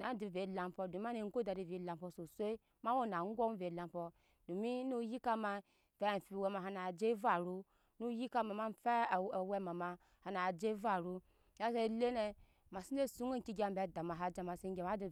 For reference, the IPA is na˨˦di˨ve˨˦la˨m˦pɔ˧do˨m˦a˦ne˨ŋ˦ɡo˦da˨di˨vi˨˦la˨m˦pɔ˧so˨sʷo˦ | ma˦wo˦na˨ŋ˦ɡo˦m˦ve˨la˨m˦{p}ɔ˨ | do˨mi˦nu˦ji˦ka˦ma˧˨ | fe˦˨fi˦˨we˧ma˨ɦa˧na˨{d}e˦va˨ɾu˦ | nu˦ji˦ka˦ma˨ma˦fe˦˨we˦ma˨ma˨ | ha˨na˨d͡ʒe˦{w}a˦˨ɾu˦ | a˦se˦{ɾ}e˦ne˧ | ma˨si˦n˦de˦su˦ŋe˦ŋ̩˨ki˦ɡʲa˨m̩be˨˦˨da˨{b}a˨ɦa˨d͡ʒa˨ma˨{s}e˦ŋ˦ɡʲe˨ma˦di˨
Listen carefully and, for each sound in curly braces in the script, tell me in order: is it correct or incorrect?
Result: correct, incorrect: d͡ʒ, incorrect: v, incorrect: l, incorrect: m, correct

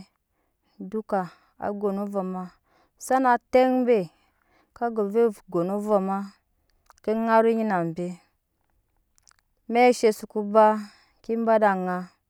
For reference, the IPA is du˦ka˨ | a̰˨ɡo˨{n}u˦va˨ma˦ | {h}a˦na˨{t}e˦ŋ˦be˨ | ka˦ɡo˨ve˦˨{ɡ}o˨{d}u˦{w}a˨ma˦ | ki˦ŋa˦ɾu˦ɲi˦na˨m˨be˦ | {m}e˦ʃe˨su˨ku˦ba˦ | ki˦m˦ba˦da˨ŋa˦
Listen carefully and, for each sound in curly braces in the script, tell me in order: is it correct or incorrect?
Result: correct, incorrect: s, correct, correct, incorrect: n, incorrect: v, correct

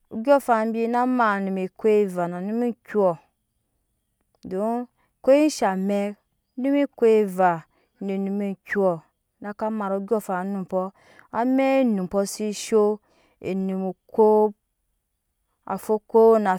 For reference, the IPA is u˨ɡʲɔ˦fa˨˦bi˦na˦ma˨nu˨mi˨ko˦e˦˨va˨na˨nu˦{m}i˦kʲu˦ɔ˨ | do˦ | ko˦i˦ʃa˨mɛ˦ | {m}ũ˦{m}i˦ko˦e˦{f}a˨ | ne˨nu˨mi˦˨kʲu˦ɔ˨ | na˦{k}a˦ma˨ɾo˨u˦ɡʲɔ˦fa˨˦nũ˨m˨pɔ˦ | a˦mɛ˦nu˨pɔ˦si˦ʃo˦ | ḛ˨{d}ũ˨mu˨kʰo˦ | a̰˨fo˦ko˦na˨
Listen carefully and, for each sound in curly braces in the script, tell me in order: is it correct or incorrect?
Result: correct, incorrect: n, correct, incorrect: v, correct, incorrect: n

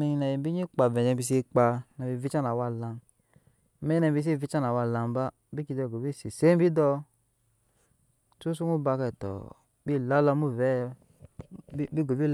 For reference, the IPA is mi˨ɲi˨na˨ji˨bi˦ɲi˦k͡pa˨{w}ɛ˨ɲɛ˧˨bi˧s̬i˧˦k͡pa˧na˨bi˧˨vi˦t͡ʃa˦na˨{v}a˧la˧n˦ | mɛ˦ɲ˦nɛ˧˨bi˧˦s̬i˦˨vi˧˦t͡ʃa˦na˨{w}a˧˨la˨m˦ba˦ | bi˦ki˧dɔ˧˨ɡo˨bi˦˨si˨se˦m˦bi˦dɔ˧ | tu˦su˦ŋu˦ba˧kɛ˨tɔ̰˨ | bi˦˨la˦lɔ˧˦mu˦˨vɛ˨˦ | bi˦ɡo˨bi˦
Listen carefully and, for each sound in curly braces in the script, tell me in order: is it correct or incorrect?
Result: incorrect: v, incorrect: w, correct

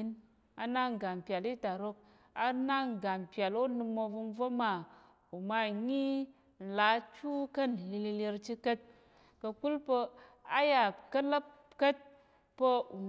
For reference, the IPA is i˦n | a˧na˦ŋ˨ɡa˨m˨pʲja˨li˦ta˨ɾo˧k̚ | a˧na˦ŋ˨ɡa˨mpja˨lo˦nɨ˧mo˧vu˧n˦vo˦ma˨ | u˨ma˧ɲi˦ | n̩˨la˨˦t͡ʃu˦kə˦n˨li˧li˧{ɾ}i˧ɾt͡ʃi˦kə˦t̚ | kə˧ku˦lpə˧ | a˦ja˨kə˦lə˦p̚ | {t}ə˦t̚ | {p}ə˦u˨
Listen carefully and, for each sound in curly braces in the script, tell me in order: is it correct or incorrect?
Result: incorrect: l, incorrect: k, correct

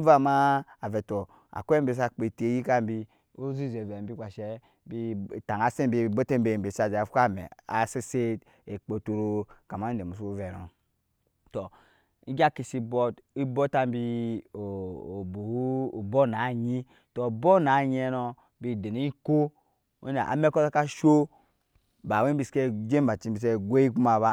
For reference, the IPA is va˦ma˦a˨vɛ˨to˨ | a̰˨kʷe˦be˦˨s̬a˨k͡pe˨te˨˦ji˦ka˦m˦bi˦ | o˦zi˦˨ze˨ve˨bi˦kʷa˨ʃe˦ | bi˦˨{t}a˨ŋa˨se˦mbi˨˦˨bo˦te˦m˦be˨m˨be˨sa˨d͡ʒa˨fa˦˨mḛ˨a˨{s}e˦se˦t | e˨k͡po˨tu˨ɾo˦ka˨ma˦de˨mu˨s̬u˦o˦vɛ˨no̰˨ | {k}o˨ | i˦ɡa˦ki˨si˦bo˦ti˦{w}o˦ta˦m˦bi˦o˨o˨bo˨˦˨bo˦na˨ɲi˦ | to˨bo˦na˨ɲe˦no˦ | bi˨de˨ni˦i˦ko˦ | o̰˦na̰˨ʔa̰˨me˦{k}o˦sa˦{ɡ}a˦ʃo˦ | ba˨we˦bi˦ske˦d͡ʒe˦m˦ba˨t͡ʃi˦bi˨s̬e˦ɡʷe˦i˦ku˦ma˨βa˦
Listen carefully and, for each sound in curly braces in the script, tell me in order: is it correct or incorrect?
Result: correct, correct, incorrect: t, incorrect: b, correct, incorrect: k

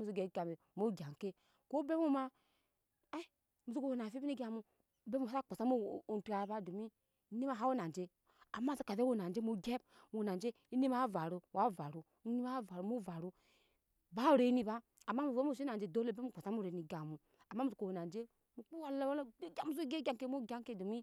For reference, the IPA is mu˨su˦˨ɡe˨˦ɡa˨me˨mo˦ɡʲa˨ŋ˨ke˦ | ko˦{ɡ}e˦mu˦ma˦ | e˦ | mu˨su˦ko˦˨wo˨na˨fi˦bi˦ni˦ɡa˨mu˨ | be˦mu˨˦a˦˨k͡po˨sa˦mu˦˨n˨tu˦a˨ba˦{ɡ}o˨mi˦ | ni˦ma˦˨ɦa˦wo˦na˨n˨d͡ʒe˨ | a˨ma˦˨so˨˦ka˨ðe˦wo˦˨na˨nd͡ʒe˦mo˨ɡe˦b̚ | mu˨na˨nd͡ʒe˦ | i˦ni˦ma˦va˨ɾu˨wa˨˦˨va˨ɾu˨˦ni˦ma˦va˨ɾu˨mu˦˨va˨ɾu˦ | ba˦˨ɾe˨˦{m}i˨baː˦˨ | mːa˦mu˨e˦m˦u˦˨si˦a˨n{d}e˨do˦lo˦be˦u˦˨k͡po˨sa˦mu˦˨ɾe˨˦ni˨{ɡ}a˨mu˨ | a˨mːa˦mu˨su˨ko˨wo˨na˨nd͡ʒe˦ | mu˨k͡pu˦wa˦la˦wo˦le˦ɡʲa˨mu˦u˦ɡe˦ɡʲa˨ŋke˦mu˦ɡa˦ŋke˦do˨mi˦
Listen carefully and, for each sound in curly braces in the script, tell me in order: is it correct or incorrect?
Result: incorrect: b, incorrect: d, incorrect: n, incorrect: d͡ʒ, correct

